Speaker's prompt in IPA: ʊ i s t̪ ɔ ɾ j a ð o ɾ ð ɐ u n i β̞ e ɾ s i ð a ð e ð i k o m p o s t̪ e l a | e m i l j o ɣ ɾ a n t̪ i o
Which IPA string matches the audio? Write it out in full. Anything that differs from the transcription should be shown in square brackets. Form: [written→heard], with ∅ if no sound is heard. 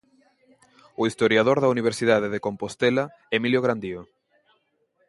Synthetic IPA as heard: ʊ i s t̪ [ɔ→o] ɾ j a ð o ɾ ð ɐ u n i β̞ e ɾ s i ð a ð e ð [i→e] k o m p o s t̪ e l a | e m i l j o ɣ ɾ a n [t̪→d̪] i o